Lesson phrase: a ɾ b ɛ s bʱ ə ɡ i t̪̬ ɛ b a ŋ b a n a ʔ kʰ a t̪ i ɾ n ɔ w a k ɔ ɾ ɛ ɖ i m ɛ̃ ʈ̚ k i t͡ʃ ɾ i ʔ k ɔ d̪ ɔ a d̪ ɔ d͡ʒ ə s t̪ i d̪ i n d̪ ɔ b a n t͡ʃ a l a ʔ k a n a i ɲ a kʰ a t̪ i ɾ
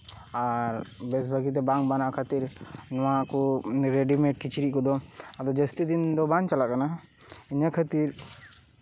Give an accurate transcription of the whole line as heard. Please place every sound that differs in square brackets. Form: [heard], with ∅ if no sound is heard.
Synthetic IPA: a ɾ b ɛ s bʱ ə ɡ i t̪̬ ɛ b a ŋ b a n a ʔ kʰ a t̪ i ɾ n ɔ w a k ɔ ɾ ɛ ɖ i m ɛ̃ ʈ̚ k i t͡ʃ ɾ i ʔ k ɔ d̪ ɔ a d̪ ɔ d͡ʒ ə s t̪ i d̪ i n d̪ ɔ b a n t͡ʃ a l a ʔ k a n a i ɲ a kʰ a t̪ i ɾ